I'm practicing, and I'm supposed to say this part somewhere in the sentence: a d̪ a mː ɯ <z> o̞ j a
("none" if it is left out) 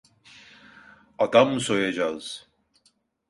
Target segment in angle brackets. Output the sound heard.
s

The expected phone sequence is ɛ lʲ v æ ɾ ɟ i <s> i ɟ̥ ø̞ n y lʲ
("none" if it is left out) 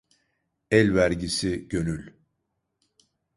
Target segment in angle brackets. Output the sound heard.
s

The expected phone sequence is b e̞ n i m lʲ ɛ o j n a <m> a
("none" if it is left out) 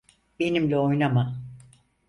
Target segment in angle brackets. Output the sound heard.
m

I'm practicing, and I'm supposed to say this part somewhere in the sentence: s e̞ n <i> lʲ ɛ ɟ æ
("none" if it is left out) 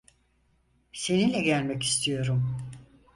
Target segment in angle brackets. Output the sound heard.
i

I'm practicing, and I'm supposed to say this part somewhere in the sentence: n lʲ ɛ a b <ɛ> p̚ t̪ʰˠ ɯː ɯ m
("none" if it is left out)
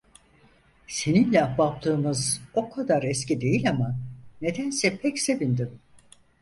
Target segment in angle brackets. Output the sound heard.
a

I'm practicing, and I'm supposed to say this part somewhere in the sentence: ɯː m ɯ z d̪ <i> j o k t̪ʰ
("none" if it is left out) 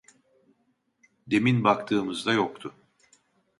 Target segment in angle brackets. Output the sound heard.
a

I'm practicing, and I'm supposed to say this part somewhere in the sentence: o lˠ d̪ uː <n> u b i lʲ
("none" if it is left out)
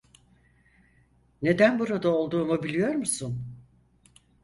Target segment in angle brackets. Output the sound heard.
m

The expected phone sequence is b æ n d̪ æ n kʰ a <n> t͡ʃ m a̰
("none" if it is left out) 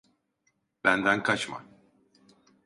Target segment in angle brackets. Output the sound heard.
none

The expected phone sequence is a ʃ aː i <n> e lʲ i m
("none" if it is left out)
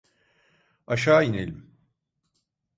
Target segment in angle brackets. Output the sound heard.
n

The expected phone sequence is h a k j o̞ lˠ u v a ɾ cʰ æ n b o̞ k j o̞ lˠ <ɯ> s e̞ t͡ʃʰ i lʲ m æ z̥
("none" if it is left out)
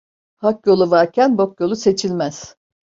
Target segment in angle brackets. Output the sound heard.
u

